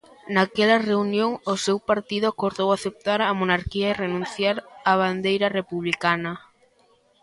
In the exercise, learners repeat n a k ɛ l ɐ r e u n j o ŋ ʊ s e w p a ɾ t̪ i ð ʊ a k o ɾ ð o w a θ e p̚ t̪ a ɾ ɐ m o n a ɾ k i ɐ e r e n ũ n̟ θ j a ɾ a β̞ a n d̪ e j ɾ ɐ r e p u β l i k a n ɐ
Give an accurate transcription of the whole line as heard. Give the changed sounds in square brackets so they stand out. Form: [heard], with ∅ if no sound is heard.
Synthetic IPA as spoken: n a k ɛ l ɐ r e u n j o ŋ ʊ s e w p a ɾ t̪ i ð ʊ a k o ɾ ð o w a θ e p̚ t̪ a ɾ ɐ m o n a ɾ k i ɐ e r e n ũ n̟ θ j a ɾ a β̞ a n d̪ e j ɾ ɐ r e p u β l i k a n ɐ